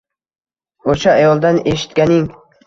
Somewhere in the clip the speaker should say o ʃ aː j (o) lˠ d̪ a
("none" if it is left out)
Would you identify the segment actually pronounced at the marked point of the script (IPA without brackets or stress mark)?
ɒ